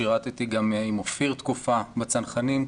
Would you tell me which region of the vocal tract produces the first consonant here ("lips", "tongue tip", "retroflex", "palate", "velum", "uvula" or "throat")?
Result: uvula